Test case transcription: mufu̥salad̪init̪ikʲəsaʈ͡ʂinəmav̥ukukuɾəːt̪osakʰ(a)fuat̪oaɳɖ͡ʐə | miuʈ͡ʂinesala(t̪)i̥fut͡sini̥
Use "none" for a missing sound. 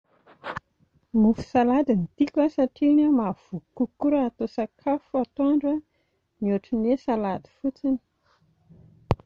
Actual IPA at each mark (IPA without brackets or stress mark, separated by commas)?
a, d̪